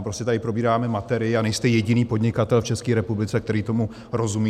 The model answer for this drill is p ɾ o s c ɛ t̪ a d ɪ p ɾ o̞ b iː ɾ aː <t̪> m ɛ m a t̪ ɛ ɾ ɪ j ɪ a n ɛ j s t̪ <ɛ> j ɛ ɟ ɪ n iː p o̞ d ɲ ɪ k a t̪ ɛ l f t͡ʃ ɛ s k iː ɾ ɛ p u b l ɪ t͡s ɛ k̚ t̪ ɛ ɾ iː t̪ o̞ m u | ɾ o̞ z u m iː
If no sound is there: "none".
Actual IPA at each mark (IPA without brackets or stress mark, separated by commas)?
none, ɛ